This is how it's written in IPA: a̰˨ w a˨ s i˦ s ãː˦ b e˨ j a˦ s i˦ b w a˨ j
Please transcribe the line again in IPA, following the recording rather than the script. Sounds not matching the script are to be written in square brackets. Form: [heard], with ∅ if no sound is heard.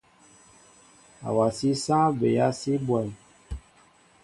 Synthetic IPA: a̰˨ w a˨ s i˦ s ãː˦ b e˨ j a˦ s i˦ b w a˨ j